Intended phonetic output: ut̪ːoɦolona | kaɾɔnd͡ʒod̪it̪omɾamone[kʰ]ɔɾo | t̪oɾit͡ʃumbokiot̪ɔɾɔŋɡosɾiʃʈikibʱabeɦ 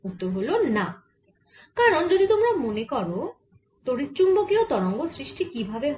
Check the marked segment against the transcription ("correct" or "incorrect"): incorrect